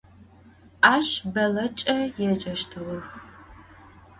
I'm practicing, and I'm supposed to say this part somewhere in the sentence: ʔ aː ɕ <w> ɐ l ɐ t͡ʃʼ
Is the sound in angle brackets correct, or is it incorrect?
incorrect